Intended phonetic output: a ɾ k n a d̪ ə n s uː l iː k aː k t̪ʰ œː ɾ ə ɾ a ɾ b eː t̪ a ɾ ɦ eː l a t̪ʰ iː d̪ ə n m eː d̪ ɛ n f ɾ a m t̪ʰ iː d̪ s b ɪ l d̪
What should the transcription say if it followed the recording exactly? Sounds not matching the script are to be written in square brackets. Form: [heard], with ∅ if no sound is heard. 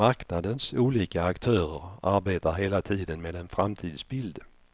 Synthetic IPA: a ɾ k n a d̪ ə n s uː l iː k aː k t̪ʰ œː ɾ ə ɾ a ɾ b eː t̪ a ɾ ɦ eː l a t̪ʰ iː d̪ ə n m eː d̪ ɛ n f ɾ a m t̪ʰ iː d̪ s b ɪ l d̪